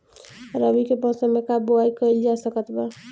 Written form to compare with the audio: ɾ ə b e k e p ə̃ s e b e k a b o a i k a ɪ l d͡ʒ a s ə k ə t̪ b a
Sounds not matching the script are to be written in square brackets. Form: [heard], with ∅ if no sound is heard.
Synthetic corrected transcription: ɾ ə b [i] k e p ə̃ s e [m] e k a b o a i k [ə] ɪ l d͡ʒ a s ə k ə t̪ b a